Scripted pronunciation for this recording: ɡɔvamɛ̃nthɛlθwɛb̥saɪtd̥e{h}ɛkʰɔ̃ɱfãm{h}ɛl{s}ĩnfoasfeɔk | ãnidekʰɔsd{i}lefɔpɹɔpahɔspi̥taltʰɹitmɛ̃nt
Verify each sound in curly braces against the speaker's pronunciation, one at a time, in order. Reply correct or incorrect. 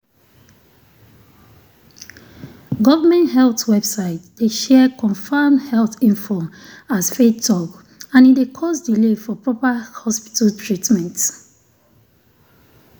incorrect, correct, incorrect, correct

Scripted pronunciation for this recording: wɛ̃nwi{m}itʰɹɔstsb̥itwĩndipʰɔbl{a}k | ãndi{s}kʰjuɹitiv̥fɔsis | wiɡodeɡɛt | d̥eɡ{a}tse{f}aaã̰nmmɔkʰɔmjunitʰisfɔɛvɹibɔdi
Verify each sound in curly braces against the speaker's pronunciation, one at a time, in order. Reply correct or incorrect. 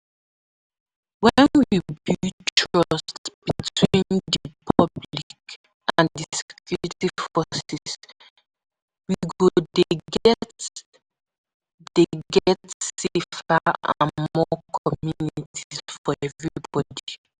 incorrect, incorrect, correct, incorrect, correct

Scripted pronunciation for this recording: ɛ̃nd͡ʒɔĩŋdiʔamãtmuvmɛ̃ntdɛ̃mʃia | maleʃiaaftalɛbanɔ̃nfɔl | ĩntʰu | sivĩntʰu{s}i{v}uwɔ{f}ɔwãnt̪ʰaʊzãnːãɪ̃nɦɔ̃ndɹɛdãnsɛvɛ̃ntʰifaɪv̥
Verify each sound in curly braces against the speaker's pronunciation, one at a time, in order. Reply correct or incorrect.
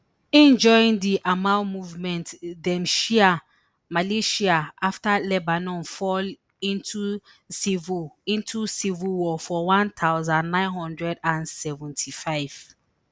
correct, correct, correct

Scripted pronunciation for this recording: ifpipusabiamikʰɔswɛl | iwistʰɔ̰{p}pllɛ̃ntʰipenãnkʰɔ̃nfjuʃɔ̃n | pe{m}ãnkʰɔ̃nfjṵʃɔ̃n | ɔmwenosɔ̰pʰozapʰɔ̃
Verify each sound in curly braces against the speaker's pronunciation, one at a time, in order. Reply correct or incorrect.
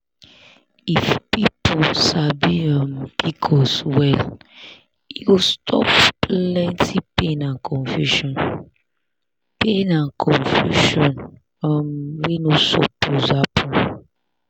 correct, incorrect

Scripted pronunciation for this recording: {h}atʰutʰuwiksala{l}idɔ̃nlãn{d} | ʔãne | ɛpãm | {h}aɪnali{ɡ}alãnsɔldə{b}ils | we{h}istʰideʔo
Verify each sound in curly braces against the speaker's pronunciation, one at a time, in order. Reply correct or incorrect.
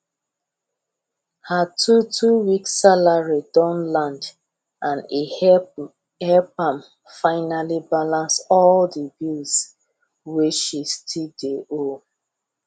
correct, incorrect, correct, incorrect, incorrect, correct, incorrect

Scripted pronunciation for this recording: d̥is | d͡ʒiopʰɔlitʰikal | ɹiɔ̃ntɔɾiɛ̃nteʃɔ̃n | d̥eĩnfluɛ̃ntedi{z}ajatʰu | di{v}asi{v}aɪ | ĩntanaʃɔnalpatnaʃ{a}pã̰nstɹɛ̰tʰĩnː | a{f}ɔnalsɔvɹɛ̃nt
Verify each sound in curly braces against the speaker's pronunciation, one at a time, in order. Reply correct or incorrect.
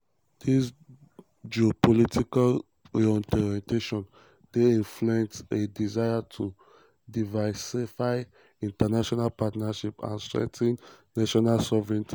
correct, correct, incorrect, incorrect, incorrect

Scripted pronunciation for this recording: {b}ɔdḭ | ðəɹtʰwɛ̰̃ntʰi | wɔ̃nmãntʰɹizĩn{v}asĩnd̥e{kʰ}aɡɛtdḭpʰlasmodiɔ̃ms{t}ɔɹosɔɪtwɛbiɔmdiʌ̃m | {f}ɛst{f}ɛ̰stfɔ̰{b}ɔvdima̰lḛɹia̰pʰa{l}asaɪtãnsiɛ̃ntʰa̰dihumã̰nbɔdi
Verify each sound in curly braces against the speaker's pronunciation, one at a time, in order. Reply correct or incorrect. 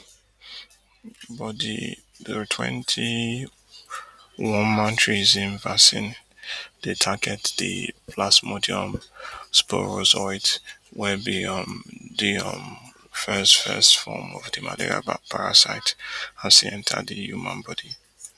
correct, correct, incorrect, incorrect, correct, correct, incorrect, incorrect

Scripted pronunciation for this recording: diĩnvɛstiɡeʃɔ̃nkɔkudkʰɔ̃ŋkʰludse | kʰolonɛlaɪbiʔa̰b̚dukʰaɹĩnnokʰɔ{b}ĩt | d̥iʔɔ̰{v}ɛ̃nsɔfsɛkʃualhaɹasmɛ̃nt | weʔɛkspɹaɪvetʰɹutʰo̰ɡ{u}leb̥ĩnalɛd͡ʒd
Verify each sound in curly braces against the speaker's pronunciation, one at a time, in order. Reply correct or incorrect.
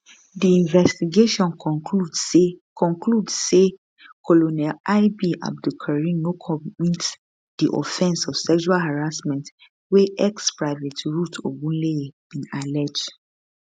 incorrect, incorrect, incorrect

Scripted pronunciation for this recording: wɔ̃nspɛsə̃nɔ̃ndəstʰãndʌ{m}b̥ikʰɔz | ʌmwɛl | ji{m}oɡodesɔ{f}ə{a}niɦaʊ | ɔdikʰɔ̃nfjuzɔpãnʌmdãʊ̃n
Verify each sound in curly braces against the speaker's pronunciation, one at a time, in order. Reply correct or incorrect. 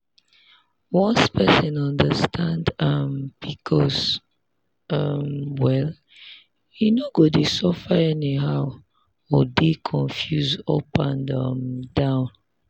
correct, incorrect, correct, incorrect

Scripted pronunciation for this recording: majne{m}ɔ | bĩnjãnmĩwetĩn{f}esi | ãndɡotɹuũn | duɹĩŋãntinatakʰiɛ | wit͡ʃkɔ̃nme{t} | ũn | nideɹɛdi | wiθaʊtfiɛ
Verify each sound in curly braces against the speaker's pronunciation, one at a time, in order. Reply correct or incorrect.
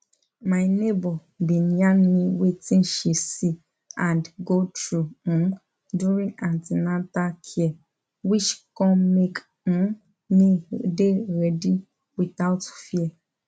incorrect, incorrect, incorrect

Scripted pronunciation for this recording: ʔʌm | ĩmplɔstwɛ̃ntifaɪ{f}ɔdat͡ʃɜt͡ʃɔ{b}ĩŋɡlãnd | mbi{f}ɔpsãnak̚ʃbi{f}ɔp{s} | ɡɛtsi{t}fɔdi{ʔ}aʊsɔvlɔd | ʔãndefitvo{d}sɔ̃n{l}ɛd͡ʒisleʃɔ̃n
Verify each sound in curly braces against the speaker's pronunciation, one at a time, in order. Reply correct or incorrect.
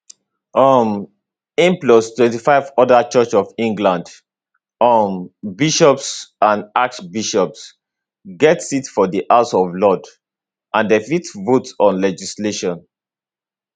incorrect, incorrect, incorrect, incorrect, correct, correct, correct, incorrect, correct

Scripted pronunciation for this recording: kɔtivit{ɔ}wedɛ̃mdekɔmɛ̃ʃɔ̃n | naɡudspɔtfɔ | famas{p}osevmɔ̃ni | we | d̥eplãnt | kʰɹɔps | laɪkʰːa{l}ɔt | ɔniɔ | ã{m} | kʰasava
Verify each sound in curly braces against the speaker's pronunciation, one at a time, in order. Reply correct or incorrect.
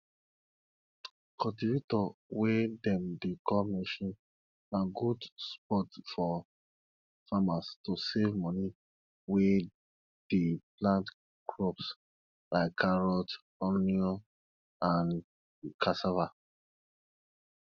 correct, incorrect, incorrect, incorrect

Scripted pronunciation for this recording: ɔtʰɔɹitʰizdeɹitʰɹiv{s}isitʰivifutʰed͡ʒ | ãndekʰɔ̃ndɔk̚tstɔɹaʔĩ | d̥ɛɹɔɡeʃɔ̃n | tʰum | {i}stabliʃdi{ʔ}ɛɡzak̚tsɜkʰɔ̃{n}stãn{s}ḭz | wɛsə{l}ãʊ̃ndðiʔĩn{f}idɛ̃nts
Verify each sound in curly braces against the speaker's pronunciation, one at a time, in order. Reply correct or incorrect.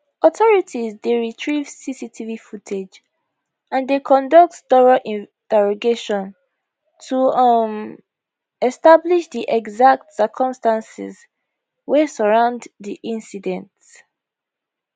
correct, incorrect, correct, incorrect, correct, incorrect, incorrect

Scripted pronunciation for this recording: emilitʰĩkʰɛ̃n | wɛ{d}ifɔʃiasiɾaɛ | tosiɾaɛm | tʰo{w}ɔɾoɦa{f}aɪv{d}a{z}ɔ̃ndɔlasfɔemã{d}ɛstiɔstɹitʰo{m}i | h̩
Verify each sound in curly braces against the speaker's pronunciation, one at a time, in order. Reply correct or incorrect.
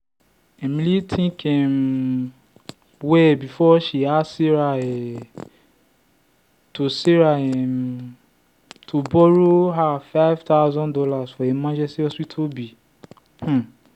incorrect, incorrect, correct, incorrect, correct, incorrect, incorrect

